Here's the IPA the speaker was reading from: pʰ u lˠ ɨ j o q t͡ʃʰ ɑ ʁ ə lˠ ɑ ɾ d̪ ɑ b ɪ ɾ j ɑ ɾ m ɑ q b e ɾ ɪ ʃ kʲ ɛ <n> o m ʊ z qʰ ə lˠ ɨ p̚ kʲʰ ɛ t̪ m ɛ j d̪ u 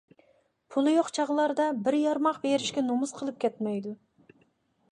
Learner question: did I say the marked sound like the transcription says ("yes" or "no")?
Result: yes